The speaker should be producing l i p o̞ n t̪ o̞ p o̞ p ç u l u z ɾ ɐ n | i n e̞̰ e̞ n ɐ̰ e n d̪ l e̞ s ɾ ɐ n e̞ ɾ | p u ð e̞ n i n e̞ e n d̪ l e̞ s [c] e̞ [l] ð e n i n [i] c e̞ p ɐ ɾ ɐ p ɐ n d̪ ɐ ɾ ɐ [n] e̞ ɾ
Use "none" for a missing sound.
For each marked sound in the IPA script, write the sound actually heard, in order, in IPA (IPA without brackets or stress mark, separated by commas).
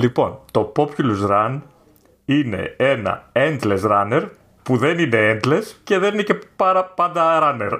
c, none, e, n